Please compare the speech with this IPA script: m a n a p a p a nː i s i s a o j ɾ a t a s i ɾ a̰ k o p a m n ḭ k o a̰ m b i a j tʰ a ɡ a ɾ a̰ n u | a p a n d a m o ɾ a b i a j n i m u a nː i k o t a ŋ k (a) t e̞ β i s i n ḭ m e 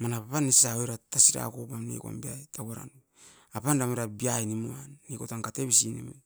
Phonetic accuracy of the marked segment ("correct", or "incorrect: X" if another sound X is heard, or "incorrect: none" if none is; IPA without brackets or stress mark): correct